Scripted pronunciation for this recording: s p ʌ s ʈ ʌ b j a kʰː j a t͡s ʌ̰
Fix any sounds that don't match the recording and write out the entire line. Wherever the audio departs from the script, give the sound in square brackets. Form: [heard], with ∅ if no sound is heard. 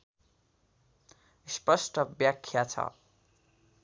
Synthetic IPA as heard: s p ʌ s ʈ ʌ b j a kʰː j a [t͡sʰ] ʌ̰